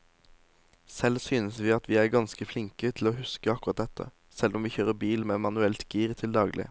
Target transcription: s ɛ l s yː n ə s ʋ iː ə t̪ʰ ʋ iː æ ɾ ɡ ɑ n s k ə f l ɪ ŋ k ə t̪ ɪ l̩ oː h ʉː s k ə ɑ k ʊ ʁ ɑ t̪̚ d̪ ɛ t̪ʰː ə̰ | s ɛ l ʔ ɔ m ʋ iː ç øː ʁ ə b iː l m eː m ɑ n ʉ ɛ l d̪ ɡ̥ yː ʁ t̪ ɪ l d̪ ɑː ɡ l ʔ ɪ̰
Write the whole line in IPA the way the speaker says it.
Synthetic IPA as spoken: s ɛ l s yː n ə s ʋ iː ɑ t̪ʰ ʋ iː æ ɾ ɡ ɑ n s k ə f l ɪ ŋ k ə t̪ʰ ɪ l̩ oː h ʉ s k ə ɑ k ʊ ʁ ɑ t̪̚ d̪ ɛ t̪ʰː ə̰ | s ɛ l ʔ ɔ m ʋ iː ç øː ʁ ə b iː l m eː m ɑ n ʉ ɛ l t̪ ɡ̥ iː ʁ t̪ʰ ɪ l d̪ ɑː ɡ l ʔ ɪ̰

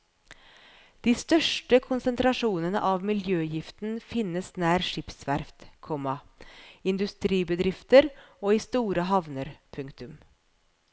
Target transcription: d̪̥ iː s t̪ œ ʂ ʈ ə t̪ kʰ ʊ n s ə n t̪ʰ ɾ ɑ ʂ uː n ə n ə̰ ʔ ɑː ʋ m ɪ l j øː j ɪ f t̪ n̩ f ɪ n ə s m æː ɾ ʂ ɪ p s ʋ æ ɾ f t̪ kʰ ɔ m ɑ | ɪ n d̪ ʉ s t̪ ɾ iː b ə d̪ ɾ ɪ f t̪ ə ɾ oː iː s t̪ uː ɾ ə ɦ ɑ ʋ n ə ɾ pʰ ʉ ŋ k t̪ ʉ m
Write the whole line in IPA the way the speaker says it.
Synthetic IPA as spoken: d̪̥ iː s t̪ œ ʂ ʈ ə kʰ ʊ n s ə n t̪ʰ ɾ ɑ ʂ uː n ə n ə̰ ʔ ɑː ʋ m ɪ l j øː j ɪ f t̪ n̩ f ɪ n ə s n æː ɾ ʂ ɪ p s ʋ æ ɾ f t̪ kʰ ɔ m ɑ | ɪ n d̪ ʉ s t̪ ɾ iː b ə d̪ ɾ ɪ f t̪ ə ɾ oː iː s t̪ uː ɾ ə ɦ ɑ ʋ n ə ɾ pʰ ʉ ŋ k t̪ ʉ m

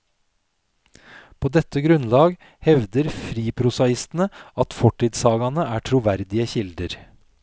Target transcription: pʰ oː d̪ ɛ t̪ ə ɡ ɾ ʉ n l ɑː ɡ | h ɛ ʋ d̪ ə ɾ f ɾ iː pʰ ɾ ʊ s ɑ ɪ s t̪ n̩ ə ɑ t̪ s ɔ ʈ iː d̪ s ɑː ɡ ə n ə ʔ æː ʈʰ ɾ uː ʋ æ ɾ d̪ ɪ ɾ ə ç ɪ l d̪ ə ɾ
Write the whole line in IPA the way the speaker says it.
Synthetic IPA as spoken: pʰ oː d̪ ɛ t̪ ə ɡ ɾ ʉ n l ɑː ɡ | h ɛ ʋ d̪ ə ɾ f ɾ iː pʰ ɾ ʊ s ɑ ɪ s t̪ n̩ ə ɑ t̪ f ɔ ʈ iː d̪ s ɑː ɡ ɑ n ə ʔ æː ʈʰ ɾ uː ʋ æ ɾ d̪ ɪ ə ç ɪ l d̪ ə ɾ

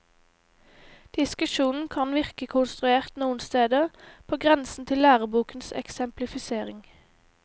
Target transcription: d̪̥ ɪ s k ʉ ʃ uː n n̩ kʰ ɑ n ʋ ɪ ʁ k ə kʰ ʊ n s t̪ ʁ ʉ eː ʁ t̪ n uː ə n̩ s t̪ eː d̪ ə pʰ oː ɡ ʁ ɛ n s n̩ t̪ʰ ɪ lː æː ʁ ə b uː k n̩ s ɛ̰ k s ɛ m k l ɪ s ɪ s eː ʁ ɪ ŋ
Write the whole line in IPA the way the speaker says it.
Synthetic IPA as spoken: d̪̥ ɪ s k ʉ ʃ uː n n̩ kʰ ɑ n ʋ ɪ ʁ k ə kʰ ʊ n s t̪ ʁ ʉ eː ʁ t̪ n uː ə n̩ s t̪ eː d̪ ə pʰ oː ɡ ʁ ɛ n s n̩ t̪ʰ ɪ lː æː ʁ ə b uː k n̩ s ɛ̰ k s ɛ m p l ɪ f ɪ s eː ʁ ɪ ŋ

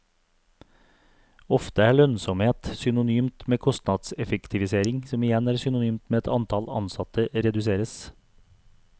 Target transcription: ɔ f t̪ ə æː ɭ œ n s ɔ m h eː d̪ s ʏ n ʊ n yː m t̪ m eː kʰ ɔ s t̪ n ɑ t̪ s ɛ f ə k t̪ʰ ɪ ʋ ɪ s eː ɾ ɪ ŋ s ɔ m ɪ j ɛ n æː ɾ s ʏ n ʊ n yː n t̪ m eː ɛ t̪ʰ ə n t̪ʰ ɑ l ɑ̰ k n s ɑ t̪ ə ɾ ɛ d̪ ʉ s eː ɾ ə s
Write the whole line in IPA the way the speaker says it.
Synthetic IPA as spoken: ɔ f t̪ ə æː ɭ œ n s ɔ m h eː t̪ s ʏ n ʊ n yː m t̪ m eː kʰ ɔ s t̪ n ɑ d̪ s ɛ f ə k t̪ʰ ɪ ʋ ɪ s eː ɾ ɪ ŋ s ɔ m ɪ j ɛ n æː ɾ s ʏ n ʊ n yː m t̪ m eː ɛ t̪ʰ ɑ n t̪ʰ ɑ l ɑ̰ n s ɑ t̪ ə ɾ ɛ d̪ ʉ s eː ɾ ə s

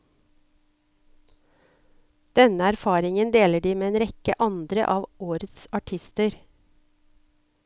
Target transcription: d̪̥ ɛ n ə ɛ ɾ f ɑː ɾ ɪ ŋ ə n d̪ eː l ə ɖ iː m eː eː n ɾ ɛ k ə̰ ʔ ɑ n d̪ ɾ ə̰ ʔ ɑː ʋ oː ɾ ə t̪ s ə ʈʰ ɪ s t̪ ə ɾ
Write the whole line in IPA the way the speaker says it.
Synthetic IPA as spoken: d̪̥ ɛ n ə æ ɾ f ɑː ɾ ɪ ŋ ə n d̪ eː l ə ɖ iː m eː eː n ɾ ɛ k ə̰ ʔ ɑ n d̪ ɾ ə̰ ʔ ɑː ʋ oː ɾ ə t̪ s ɑ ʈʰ ɪ s t̪ ə ɾ

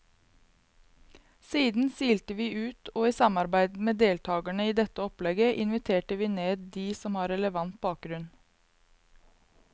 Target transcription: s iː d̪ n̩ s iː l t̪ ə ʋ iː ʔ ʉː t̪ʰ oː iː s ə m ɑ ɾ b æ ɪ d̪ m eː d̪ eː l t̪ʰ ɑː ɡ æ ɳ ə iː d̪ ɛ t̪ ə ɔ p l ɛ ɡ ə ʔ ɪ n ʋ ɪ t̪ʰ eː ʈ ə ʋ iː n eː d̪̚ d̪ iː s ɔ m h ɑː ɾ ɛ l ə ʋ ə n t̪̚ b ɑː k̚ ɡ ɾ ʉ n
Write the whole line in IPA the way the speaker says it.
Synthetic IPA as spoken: s iː d̪ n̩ s iː l t̪ ə ʋ iː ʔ ʉː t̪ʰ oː iː s ɑ m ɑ ɾ b æ ɪ d̪ m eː d̪ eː l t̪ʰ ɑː ɡ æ ɳ ə iː d̪ ɛ t̪ ə ɔ p l ɛ ɡ ə ʔ ɪ n ʋ ɪ t̪ʰ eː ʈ ə ʋ iː n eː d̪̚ d̪ iː s ɔ m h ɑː ɾ ɛ l ə ʋ ɑ n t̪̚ b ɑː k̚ ɡ ɾ ʉ n

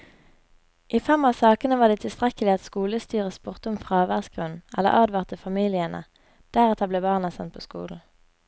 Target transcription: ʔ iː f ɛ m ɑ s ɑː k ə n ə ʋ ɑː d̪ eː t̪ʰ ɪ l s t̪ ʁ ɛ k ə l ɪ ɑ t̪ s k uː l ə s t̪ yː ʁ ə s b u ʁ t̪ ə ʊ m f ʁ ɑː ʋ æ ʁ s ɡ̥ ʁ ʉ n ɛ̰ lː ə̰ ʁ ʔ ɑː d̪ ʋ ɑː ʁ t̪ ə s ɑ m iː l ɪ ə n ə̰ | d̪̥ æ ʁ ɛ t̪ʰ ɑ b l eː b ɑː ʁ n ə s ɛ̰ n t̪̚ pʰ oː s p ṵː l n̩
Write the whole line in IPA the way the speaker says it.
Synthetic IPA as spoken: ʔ iː f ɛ m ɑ s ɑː k ə n ə ʋ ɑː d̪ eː t̪ʰ ɪ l s t̪ ʁ ɛ k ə l ɪ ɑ t̪ s k uː l ə s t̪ yː ʁ ə s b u ʁ t̪ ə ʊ m f ʁ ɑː ʋ æ ʁ s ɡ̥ ʁ ʉ n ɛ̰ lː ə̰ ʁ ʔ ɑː d̪ ʋ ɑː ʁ t̪ ə f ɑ m iː l ɪ ə n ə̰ | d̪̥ æ ʁ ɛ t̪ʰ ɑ b l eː b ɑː ʁ n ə s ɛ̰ n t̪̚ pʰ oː s k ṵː l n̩

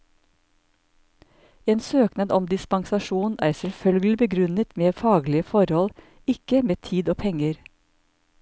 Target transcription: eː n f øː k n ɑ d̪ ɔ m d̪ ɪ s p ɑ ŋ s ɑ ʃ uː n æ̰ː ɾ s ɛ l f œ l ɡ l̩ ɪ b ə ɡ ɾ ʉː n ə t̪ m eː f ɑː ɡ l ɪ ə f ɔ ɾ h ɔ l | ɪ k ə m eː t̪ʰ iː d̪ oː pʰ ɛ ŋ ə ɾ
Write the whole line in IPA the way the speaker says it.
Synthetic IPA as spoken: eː n s øː k n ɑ d̪ ɔ m d̪ ɪ s p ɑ ŋ s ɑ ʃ uː n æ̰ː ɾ s ɛ l f œ l ɡ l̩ ɪ b ə ɡ ɾ ʉ n ə t̪ m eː f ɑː ɡ l ɪ ə f ɔ ɾ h ɔ l | ɪ k ə m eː t̪ʰ iː d̪ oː pʰ ɛ ŋ ə ɾ

